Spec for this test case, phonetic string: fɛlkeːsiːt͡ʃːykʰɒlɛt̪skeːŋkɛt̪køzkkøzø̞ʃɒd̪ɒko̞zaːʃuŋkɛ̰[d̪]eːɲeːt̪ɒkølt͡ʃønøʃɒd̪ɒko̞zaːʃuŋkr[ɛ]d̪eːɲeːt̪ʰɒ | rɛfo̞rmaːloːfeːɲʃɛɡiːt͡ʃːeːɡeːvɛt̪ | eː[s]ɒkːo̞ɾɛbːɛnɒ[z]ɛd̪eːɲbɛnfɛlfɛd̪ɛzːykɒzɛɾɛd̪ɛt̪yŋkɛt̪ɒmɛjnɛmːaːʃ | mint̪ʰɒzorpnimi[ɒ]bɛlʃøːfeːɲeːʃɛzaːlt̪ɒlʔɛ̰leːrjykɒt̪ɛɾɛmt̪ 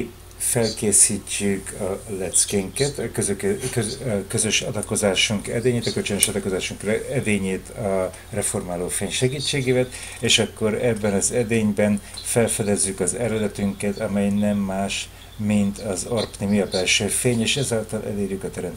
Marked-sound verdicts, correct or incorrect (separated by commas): correct, correct, incorrect, correct, correct